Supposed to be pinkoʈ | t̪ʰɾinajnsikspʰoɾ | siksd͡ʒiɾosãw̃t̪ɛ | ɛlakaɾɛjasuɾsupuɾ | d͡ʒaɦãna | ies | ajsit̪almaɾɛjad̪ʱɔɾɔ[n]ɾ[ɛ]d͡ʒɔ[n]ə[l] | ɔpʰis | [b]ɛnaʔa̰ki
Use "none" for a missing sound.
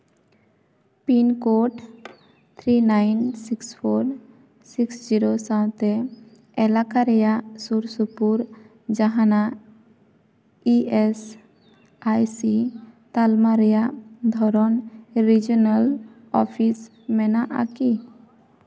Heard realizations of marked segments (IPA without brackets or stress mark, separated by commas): n, i, n, l, m